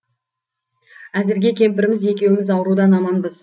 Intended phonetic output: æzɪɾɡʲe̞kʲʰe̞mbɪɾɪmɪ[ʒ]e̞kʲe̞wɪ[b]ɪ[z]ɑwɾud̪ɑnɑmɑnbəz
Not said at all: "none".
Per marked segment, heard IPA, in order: z, m, z

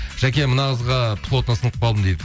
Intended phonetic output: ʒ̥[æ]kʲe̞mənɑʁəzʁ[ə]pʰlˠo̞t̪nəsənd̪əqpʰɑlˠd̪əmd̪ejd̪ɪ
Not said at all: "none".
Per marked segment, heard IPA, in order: æ, ɑ

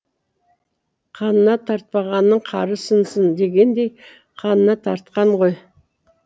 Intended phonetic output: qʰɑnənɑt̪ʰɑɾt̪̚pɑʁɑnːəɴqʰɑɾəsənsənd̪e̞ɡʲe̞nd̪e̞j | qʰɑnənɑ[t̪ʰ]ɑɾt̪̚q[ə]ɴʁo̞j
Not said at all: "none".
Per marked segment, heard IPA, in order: t̪ʰ, ɑ

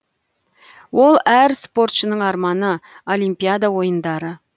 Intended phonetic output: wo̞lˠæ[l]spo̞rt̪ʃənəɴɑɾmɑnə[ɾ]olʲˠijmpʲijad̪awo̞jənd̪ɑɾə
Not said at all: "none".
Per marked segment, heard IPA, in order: ɾ, none

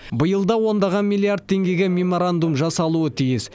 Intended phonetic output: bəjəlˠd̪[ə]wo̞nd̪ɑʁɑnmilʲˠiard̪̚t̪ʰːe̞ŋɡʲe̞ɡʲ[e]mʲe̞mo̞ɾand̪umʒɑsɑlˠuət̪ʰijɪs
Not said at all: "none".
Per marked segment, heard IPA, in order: ɑ, e

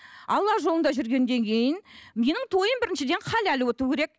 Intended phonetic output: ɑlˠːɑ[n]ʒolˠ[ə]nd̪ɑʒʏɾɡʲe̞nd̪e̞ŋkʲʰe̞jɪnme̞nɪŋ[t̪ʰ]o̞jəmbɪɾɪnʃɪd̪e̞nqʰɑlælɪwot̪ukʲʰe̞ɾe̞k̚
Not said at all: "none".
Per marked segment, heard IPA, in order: none, ə, t̪ʰ

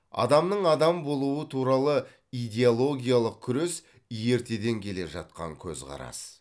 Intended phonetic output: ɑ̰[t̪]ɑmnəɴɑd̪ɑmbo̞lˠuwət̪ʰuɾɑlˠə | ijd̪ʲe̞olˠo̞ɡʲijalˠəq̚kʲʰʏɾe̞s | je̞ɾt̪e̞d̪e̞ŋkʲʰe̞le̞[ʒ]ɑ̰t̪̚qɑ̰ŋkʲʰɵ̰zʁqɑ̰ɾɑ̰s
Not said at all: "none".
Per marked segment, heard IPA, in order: d̪, ʒ

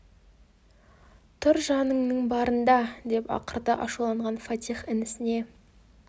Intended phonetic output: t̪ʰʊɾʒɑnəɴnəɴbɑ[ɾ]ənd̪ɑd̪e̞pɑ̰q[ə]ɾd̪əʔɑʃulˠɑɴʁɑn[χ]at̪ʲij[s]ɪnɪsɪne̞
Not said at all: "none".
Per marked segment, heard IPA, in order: ɾ, ə, f, χ

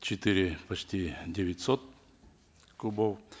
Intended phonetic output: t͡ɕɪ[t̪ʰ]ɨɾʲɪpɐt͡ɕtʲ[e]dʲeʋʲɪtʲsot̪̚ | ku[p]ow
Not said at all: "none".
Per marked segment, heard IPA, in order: t̪, i, b

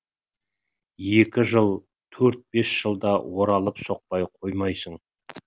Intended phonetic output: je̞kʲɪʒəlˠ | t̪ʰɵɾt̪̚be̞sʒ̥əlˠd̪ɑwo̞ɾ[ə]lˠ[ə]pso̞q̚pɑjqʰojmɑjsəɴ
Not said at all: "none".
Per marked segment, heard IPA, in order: ɑ, ə

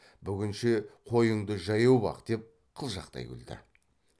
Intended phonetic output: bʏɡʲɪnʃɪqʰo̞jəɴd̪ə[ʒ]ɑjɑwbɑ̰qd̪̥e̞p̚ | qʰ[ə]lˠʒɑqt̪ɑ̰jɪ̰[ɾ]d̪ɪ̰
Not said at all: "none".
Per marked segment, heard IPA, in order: ʒ, ə, l

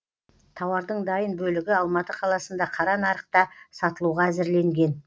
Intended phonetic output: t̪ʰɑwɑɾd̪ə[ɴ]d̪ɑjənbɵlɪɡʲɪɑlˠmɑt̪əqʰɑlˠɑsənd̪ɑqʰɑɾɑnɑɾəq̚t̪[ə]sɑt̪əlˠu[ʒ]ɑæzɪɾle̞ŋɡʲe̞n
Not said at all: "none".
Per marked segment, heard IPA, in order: ɴ, ɑ, ʁ

